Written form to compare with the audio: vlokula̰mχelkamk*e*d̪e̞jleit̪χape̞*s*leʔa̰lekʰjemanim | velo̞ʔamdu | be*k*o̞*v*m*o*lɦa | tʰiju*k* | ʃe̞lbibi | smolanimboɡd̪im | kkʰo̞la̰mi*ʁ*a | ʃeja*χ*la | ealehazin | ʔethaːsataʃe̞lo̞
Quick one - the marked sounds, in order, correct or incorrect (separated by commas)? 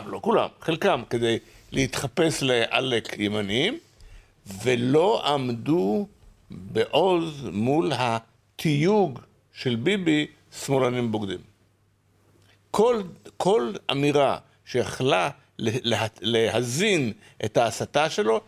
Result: correct, correct, incorrect, incorrect, incorrect, incorrect, correct, correct